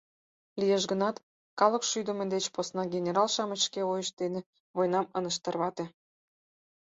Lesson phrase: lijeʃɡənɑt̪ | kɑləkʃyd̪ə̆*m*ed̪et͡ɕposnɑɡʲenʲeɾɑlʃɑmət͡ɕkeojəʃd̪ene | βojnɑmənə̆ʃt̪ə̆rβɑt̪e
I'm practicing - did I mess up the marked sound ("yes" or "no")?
no